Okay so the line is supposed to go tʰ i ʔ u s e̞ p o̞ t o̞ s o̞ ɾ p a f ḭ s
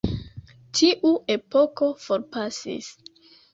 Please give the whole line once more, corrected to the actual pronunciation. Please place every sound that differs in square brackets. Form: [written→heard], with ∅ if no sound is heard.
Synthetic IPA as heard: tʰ i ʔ u [s→∅] e̞ p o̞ [t→k] o̞ [s→f] o̞ ɾ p a [f→s] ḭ s